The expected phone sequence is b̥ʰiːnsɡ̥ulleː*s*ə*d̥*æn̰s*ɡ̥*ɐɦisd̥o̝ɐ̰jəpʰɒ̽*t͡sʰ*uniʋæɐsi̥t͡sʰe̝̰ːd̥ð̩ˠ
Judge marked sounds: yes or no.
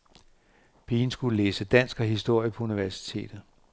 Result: yes, yes, yes, no

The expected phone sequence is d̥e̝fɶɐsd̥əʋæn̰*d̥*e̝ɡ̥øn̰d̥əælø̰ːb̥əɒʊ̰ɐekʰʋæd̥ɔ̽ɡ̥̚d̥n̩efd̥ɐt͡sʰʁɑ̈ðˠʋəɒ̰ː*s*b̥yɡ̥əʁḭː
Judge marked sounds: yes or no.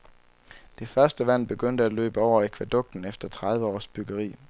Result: no, yes

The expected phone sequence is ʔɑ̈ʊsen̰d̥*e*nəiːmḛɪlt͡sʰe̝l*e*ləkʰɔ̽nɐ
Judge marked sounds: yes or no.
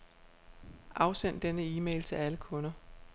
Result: yes, no

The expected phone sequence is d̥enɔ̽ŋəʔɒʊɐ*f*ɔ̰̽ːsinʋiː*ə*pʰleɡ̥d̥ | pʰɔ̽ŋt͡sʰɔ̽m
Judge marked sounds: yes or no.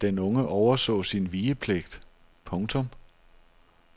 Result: no, yes

